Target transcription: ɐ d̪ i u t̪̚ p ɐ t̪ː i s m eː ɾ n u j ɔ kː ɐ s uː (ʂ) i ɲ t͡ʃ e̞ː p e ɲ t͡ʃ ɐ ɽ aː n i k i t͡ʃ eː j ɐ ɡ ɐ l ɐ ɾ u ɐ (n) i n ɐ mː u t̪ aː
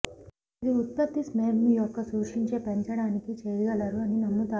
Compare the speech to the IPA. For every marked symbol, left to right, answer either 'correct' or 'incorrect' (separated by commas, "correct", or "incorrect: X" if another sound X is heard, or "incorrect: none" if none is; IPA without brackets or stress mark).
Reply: correct, correct